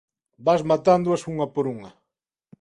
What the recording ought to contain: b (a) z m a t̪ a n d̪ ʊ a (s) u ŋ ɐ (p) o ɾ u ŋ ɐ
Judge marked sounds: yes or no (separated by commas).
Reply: yes, yes, yes